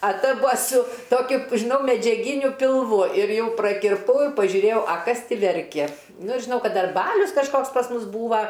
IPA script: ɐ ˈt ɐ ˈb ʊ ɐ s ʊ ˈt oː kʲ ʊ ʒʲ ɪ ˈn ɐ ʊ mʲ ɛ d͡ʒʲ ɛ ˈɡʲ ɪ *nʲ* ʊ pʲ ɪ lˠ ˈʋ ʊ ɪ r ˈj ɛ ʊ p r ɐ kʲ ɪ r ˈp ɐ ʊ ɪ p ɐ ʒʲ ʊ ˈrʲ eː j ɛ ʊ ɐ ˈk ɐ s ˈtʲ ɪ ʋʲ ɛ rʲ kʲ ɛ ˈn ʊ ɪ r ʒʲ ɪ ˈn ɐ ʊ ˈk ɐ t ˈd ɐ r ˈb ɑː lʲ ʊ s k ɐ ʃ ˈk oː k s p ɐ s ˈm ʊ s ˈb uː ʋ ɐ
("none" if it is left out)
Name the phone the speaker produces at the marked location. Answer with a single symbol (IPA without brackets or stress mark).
nʲ